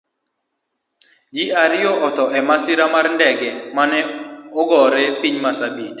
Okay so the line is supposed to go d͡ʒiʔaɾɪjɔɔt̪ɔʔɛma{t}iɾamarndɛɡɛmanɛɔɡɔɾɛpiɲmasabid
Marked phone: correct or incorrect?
incorrect